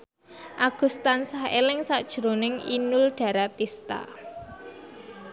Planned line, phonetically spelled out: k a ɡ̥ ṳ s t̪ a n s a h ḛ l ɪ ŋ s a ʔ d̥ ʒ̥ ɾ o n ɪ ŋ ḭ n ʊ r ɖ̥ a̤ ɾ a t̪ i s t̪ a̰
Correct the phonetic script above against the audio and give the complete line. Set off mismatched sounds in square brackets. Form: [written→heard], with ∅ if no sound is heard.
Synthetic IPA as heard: [k→ʔ] a ɡ̥ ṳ s t̪ a n s a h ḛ l ɪ ŋ s a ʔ d̥ ʒ̥ ɾ o n ɪ ŋ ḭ n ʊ [r→l] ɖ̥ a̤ ɾ a t̪ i s t̪ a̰

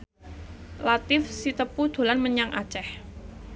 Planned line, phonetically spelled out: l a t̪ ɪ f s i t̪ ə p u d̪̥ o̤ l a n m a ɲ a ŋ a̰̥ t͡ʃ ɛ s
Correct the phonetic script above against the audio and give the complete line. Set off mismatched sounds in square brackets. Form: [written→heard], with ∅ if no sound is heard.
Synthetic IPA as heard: l a t̪ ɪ f s i t̪ ə p u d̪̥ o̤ l a n m [a→ə] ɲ a ŋ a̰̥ t͡ʃ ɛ [s→h]

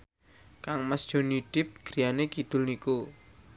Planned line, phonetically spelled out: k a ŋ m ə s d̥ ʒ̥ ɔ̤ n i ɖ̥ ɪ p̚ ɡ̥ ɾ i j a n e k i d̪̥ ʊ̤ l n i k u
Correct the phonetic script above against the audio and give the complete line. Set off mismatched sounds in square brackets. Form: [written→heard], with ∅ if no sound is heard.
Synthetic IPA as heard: k a ŋ m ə s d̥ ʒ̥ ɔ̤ n i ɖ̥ ɪ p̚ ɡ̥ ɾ i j a n e k i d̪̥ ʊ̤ l n i k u

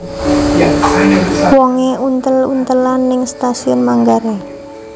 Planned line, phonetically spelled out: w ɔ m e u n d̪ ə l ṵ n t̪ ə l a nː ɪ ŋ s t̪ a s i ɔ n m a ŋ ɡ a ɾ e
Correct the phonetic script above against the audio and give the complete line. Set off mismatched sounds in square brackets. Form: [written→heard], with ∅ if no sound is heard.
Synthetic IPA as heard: w ɔ [m→ŋ] e u n [d̪→t̪] ə l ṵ n t̪ ə l a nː ɪ ŋ s t̪ a s i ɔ n m a ŋ ɡ a ɾ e

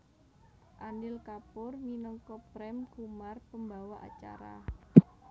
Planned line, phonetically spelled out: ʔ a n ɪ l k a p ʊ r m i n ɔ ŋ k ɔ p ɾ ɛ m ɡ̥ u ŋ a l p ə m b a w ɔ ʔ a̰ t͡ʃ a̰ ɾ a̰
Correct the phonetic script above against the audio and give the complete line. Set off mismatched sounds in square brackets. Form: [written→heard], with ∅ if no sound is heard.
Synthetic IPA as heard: ʔ a n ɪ l k a p ʊ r m i n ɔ ŋ k ɔ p ɾ ɛ m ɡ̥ u [ŋ→m] a [l→r] p ə m b a w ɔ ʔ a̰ t͡ʃ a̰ ɾ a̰

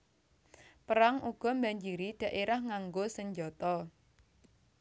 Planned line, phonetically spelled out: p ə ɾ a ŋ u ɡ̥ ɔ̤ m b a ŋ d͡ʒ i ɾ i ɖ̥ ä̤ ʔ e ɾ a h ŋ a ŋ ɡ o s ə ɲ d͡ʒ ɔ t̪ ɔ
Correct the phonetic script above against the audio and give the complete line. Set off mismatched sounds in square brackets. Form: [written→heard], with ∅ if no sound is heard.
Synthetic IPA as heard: p ə ɾ a ŋ u ɡ̥ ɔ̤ m b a [ŋ→ɲ] d͡ʒ i ɾ i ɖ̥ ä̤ ʔ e ɾ a h ŋ a ŋ ɡ o s ə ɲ d͡ʒ ɔ t̪ ɔ

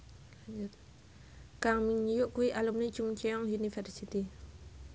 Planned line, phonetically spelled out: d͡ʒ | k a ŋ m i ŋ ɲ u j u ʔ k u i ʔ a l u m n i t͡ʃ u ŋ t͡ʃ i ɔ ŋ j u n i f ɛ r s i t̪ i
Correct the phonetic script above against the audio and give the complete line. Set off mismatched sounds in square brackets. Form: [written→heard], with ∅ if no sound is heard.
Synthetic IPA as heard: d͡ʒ | k a ŋ m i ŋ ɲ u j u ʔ k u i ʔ a l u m n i t͡ʃ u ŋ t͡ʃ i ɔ ŋ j u n i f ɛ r s i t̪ i

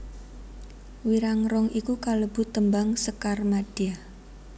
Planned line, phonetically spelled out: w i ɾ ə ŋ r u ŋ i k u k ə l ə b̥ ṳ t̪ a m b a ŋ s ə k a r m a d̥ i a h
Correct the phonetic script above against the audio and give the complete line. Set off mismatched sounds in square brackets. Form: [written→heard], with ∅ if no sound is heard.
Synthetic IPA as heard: w i ɾ [ə→a] ŋ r [u→ɔ] ŋ i k u k [ə→a] l ə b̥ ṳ t̪ [a→ə] m b a ŋ s ə k a r m a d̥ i a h

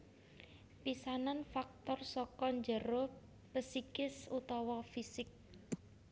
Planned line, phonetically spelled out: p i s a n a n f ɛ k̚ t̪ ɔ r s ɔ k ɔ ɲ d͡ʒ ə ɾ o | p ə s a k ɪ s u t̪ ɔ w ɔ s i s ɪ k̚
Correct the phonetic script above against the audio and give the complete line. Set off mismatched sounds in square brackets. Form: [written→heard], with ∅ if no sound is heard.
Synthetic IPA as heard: p i s a n a n f [ɛ→a] k̚ t̪ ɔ r s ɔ k ɔ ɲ d͡ʒ ə ɾ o | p ə s [a→i] k ɪ s u t̪ ɔ w ɔ [s→f] i s ɪ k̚

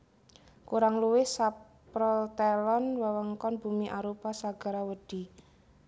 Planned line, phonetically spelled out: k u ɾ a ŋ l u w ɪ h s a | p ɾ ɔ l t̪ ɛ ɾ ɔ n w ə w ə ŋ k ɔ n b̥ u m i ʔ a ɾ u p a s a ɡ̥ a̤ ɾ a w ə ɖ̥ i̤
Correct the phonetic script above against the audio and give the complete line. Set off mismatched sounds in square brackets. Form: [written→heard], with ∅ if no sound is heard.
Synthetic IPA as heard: k u ɾ a ŋ l u w ɪ h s a | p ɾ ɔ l t̪ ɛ [ɾ→l] ɔ n w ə w ə ŋ k ɔ n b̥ u m i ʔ a ɾ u p a s a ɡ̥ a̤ ɾ a w ə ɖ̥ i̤

